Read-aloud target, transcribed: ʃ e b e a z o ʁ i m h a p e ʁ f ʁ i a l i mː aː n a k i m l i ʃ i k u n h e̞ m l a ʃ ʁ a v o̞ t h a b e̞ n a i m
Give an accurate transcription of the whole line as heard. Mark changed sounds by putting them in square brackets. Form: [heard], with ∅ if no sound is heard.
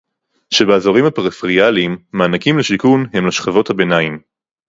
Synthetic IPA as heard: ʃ e b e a z o ʁ i m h a p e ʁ f ʁ i a l i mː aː n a k i m l [e] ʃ i k u n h e̞ m l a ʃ [χ] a v o̞ t h a b e̞ n a i m

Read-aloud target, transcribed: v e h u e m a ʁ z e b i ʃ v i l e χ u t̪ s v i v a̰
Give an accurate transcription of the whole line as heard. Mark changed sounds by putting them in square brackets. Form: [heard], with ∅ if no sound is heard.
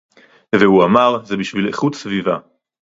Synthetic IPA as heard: v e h u [a] m a ʁ z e b i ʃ v i l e χ u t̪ s v i v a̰

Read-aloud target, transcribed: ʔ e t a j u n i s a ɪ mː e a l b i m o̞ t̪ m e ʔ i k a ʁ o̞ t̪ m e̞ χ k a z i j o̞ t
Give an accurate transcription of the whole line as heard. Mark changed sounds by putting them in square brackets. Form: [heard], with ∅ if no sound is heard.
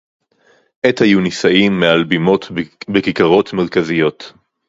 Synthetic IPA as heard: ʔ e t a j u n i s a [i] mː e a l b i m o̞ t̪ [b] e [k] i k a ʁ o̞ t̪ m e̞ [ʁ] k a z i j o̞ t

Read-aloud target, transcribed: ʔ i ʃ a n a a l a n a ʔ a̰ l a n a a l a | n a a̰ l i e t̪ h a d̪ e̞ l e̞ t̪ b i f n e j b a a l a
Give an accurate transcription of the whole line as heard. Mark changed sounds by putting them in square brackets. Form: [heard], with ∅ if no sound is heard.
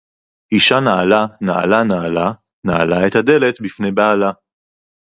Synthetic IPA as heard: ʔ i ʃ a n a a l a n a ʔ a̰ l a n a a l a | n a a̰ l [a] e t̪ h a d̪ e̞ l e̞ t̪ b i f n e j b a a l a

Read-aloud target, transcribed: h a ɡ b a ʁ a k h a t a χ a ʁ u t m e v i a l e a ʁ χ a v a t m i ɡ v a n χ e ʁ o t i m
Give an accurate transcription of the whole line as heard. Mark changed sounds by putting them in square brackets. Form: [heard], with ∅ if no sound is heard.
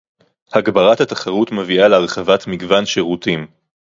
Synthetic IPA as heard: h a ɡ b a ʁ a [t] h a t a χ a ʁ u t m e v i a l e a ʁ χ a v a t m i ɡ v a n [ʃ] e ʁ [u] t i m

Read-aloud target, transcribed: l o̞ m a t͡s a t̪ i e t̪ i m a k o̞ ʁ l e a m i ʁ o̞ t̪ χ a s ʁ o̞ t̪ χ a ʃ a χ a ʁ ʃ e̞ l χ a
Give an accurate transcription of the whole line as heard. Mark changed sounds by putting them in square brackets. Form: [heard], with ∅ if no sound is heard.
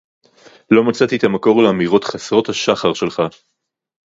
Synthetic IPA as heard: l o̞ m a t͡s a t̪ i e t̪ [a] m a k o̞ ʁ l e a m i ʁ o̞ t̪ χ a s ʁ o̞ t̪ [h] a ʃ a χ a ʁ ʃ e̞ l χ a

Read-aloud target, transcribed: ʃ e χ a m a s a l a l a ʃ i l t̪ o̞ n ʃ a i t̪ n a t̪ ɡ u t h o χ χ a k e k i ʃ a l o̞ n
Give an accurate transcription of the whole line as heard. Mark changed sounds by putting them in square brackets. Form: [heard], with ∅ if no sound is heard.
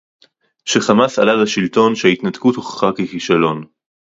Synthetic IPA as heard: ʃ e χ a m a s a l a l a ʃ i l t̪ o̞ n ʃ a i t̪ n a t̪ [k] u t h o χ χ a k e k i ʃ a l o̞ n

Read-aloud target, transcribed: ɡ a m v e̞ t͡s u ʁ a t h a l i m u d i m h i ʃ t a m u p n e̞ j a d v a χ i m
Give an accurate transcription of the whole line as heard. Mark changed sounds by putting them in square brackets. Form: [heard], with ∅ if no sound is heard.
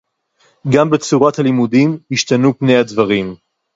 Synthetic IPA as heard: ɡ a m [b] e̞ t͡s u ʁ a t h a l i m u d i m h i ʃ t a [n] u p n e̞ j a d v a [ʁ] i m

